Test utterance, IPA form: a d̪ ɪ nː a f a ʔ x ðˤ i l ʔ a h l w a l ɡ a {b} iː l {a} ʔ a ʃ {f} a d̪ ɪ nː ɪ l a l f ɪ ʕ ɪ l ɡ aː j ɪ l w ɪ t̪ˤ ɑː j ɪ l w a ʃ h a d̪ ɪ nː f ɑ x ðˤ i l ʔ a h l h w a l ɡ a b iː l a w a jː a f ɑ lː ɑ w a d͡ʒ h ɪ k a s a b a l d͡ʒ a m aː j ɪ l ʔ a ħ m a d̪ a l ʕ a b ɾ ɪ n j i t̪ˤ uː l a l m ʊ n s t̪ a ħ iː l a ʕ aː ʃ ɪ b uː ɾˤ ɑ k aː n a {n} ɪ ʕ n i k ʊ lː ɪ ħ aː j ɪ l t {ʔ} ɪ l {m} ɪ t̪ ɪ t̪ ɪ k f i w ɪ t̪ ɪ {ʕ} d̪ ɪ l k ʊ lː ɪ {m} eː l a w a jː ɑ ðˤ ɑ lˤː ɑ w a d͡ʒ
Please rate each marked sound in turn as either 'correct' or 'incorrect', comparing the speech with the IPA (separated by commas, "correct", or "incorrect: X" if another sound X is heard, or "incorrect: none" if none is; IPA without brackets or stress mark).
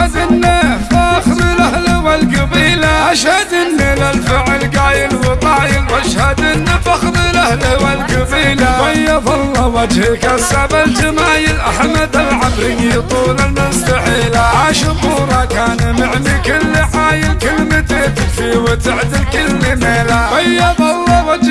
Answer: correct, correct, incorrect: h, incorrect: m, incorrect: k, correct, correct, correct